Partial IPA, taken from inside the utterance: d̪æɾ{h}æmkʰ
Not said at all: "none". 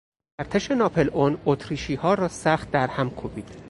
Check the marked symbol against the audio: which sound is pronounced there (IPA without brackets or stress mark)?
h